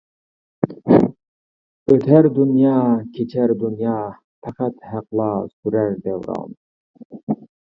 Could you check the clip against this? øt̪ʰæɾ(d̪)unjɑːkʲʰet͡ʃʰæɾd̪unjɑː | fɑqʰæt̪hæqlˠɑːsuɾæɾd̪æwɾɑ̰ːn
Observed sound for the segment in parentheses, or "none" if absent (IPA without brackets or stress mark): d̪